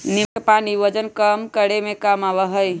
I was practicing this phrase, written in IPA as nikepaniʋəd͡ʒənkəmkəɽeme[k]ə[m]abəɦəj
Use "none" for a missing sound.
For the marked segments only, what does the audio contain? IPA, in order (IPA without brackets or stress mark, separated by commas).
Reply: k, m